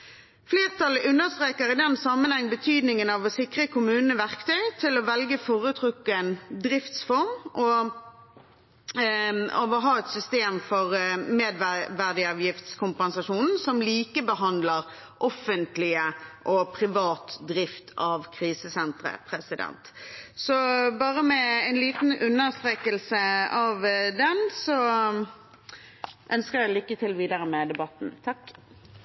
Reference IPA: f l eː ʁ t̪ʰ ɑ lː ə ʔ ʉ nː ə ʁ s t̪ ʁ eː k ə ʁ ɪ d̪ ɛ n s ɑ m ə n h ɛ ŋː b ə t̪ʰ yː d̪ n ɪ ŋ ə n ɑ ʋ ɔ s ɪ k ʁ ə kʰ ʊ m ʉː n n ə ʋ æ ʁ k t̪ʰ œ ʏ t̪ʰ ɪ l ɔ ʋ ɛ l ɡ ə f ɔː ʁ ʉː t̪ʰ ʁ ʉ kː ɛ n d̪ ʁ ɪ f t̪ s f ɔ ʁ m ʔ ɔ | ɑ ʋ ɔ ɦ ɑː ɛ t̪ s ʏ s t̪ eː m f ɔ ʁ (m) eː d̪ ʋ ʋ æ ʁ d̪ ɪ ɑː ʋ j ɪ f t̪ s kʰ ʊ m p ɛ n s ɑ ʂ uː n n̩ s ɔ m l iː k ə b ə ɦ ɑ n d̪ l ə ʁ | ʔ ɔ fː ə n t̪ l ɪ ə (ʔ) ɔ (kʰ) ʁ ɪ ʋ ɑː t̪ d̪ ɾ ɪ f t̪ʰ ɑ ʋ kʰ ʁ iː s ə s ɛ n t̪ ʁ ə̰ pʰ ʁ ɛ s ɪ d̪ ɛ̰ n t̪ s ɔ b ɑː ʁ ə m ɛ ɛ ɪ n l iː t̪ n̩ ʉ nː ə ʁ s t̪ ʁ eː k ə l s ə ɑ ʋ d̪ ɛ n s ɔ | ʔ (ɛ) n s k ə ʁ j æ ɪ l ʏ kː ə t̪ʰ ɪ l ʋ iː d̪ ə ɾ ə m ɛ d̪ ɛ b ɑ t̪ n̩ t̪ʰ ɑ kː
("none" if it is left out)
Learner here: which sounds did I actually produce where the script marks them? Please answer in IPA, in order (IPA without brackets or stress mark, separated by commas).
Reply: m, ʔ, pʰ, œ